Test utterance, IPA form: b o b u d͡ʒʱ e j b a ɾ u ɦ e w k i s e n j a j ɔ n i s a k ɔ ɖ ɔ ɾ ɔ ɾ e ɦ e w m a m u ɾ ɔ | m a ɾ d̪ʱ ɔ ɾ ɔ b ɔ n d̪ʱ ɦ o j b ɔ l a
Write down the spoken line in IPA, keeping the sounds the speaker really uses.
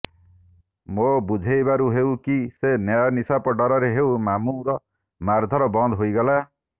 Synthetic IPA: m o b u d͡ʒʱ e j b a ɾ u ɦ e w k i s e n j a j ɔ n i s a p ɔ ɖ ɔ ɾ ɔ ɾ e ɦ e w m a m u ɾ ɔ | m a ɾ d̪ʱ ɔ ɾ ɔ b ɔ n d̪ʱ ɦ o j ɡ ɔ l a